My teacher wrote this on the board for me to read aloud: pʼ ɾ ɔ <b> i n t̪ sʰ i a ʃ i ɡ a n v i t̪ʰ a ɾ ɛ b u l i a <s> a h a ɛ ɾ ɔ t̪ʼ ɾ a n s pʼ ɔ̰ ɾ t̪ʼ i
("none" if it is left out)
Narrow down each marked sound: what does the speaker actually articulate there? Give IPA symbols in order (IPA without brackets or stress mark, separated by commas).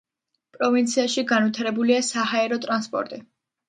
v, s